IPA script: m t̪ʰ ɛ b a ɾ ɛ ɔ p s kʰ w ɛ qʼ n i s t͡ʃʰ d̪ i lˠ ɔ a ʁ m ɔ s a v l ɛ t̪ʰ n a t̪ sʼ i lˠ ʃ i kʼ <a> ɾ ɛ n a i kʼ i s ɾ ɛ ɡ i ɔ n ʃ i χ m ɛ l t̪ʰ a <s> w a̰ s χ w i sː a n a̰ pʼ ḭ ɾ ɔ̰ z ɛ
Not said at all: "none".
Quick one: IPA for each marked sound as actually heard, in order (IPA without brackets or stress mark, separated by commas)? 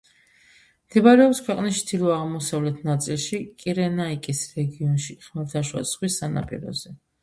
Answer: i, ʃ